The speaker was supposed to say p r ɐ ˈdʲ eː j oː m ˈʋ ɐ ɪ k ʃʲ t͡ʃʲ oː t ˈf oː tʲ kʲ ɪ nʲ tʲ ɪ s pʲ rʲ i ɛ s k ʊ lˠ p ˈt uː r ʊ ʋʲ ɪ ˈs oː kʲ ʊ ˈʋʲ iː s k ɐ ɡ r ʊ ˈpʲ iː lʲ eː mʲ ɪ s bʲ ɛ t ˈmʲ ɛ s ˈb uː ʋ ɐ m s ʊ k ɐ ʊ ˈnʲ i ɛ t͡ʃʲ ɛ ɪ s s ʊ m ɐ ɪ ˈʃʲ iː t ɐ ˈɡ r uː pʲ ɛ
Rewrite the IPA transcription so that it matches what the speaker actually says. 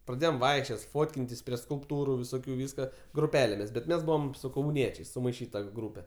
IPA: p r ɐ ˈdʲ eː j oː m ˈʋ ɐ ɪ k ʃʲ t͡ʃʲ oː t ˈf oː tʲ kʲ ɪ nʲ tʲ ɪ s pʲ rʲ i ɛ s k ʊ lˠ p ˈt uː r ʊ ʋʲ ɪ ˈs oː kʲ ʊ ˈʋʲ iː s k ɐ ɡ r ʊ ˈpʲ æː lʲ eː mʲ ɪ s bʲ ɛ t ˈmʲ ɛ s ˈb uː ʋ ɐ m s ʊ k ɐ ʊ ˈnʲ i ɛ t͡ʃʲ ɛ ɪ s s ʊ m ɐ ɪ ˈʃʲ iː t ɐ ˈɡ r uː pʲ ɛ